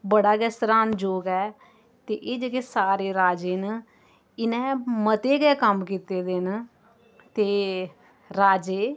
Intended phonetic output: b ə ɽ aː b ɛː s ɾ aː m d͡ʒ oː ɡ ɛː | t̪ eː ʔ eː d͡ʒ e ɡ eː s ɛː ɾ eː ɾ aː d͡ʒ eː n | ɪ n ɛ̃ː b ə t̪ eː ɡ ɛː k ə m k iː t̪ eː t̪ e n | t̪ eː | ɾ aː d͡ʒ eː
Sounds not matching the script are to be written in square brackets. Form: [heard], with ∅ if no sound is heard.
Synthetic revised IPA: b ə ɽ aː [ɡ] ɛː s ɾ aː [n] d͡ʒ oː ɡ ɛː | t̪ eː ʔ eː d͡ʒ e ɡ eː s [aː] ɾ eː ɾ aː d͡ʒ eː n | ɪ n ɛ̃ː [m] ə t̪ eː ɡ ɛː k ə m k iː t̪ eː [d̪] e n | t̪ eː | ɾ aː d͡ʒ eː